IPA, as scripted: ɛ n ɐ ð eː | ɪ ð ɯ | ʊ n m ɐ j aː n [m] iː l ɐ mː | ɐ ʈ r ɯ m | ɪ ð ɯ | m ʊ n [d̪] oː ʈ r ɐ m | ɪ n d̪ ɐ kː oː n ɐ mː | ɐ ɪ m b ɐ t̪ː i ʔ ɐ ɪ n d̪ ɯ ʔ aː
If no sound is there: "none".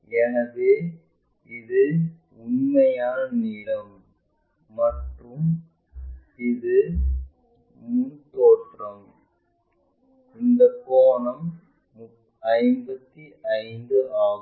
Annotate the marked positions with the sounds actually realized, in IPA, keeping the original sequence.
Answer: n, t̪

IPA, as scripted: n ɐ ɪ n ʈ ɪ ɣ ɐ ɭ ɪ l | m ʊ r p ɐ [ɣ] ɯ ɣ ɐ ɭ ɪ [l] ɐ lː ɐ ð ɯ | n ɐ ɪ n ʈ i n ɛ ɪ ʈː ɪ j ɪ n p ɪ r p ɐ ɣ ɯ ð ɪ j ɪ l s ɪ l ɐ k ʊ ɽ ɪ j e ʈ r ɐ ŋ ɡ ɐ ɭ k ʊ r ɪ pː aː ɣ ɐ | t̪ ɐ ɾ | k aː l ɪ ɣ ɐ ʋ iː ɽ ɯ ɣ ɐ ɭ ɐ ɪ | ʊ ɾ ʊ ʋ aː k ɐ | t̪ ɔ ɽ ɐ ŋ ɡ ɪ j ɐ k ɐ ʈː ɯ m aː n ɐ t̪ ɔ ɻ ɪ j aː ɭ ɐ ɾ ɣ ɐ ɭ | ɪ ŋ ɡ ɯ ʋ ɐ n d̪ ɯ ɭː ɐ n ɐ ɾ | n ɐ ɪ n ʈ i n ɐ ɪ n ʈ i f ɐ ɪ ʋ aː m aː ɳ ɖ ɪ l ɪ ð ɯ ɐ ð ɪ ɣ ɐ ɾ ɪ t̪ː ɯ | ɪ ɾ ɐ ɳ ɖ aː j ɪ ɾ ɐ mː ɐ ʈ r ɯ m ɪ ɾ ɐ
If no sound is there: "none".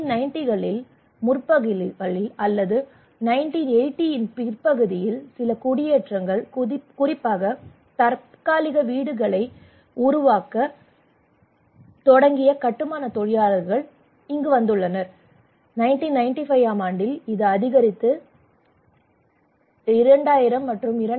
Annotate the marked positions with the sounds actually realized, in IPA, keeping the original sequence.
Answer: ɣ, l

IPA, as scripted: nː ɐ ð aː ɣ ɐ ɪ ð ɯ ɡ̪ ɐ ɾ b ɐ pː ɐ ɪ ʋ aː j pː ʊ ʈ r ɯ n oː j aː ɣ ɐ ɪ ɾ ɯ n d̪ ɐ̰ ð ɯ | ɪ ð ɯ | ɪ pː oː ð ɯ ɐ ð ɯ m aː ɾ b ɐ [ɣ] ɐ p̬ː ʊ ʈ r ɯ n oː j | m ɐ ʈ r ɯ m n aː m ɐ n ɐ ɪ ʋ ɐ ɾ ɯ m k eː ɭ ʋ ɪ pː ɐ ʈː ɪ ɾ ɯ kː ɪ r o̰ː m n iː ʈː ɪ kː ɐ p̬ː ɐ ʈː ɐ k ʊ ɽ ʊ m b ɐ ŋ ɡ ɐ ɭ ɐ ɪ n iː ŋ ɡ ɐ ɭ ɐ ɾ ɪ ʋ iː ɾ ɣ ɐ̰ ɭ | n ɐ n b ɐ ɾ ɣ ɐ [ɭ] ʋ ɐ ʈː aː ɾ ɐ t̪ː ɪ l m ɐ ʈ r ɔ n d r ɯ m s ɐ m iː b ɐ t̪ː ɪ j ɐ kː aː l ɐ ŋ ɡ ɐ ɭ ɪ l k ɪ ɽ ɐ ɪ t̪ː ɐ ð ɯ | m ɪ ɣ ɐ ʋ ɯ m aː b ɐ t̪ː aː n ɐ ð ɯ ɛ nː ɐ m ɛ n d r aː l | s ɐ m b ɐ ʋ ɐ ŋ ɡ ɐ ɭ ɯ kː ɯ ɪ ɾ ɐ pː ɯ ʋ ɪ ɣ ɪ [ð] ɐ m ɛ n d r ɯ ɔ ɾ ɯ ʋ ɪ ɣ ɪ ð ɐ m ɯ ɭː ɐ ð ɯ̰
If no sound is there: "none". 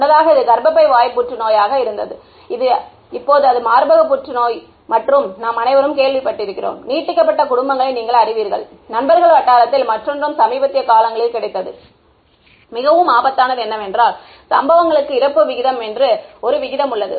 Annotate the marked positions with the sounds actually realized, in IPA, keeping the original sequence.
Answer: ɣ, ɭ, ð

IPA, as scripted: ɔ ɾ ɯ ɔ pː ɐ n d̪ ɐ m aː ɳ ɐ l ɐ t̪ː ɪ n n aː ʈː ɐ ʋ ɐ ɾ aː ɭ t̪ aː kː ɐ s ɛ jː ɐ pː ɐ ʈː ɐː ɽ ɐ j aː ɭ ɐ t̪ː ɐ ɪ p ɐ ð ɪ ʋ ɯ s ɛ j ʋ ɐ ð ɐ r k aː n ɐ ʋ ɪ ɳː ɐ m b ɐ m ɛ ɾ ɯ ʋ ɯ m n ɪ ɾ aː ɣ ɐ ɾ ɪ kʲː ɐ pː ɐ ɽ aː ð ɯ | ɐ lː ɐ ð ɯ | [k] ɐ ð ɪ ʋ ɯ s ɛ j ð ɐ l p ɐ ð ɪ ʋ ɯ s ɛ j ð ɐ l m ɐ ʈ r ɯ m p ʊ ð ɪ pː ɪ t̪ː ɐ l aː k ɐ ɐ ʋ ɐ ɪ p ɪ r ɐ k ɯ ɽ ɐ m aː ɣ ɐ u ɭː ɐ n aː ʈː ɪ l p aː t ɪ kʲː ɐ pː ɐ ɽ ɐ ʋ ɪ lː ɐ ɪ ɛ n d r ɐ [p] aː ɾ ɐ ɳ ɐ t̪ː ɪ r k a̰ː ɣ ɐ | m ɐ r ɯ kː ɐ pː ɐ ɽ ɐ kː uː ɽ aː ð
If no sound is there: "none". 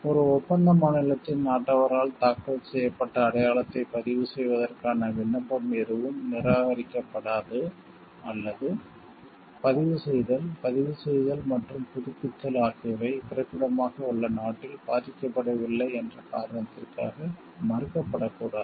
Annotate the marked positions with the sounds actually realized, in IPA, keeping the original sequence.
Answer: p, k

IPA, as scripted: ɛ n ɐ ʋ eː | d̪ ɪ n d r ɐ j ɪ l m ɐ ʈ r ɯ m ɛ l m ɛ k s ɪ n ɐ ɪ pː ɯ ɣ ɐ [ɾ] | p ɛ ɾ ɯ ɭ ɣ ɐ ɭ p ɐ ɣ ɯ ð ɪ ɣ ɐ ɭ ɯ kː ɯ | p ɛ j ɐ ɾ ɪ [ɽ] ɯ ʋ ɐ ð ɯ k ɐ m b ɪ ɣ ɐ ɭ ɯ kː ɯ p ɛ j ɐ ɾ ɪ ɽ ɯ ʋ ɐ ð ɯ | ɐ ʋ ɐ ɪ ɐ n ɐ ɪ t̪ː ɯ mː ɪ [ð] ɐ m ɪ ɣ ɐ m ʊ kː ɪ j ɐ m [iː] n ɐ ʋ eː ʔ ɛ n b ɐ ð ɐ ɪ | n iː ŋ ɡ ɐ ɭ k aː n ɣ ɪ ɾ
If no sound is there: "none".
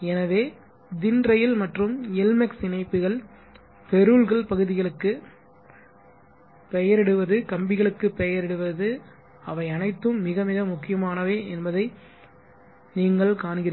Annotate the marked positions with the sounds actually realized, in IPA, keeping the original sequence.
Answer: ɭ, ɽ, ɣ, aː

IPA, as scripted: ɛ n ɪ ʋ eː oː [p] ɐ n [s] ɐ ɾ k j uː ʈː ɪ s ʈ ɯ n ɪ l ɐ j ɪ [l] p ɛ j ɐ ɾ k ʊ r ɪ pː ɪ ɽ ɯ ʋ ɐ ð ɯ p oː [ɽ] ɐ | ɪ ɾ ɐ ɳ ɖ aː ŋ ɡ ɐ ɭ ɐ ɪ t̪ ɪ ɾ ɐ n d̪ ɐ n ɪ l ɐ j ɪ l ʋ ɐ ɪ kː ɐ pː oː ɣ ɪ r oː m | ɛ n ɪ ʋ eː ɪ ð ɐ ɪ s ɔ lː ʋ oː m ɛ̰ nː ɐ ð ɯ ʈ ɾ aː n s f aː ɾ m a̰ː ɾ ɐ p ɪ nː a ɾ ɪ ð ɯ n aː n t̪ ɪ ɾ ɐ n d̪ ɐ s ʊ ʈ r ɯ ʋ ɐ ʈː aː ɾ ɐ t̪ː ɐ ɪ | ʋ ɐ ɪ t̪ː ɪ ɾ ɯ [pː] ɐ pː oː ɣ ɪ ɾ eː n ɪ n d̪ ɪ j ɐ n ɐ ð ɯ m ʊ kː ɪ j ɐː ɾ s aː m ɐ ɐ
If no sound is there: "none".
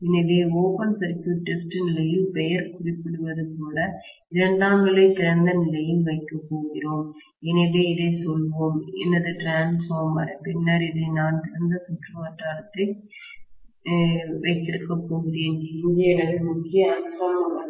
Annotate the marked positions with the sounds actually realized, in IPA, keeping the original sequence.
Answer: p, s, l, l, kː

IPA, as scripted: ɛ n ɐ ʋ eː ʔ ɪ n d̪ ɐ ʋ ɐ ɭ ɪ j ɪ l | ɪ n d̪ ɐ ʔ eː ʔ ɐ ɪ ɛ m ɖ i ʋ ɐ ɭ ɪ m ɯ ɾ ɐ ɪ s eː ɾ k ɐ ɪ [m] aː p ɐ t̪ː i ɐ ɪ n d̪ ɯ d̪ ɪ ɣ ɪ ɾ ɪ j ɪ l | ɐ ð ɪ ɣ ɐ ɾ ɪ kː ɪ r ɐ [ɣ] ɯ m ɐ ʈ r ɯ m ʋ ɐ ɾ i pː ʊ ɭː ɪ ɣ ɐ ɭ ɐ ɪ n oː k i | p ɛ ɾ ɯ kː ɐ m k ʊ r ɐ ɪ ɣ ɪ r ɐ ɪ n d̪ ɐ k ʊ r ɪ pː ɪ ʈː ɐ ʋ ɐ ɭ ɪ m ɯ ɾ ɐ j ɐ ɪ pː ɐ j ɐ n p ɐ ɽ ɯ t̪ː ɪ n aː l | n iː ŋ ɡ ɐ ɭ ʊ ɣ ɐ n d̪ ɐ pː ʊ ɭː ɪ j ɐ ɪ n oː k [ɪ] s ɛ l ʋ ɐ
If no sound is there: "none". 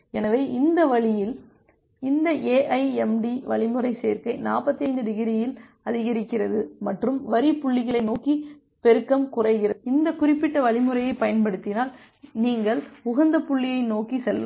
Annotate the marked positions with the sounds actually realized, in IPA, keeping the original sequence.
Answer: n, ð, i

